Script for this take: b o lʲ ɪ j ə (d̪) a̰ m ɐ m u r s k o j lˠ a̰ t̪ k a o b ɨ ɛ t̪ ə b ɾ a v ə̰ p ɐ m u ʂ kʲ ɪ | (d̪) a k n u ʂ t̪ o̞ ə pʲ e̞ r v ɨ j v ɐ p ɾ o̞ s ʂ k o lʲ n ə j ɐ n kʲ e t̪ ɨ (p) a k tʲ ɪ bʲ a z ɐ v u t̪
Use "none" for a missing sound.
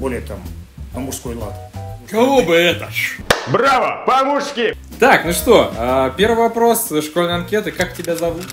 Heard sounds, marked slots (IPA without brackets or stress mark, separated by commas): t̪, t̪, k